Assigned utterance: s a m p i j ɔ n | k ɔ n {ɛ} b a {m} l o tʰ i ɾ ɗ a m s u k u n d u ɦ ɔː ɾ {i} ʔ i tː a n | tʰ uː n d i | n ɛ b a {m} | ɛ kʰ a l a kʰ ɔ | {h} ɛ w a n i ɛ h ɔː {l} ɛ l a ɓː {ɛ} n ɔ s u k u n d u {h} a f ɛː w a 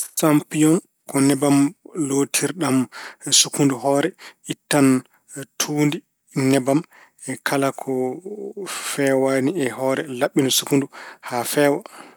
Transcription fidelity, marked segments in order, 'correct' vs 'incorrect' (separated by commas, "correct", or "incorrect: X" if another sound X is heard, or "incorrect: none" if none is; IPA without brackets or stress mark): correct, correct, incorrect: ɛ, correct, incorrect: f, incorrect: ɾ, incorrect: i, correct